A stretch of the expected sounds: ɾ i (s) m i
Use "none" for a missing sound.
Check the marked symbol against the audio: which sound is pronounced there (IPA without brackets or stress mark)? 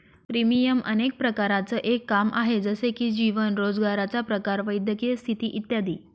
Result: none